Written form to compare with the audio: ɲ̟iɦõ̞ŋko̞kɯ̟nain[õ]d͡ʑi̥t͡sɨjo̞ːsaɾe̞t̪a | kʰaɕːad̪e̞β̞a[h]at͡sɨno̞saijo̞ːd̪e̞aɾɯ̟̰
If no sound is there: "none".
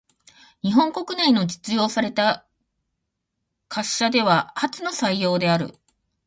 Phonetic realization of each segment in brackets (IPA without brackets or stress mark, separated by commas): o, h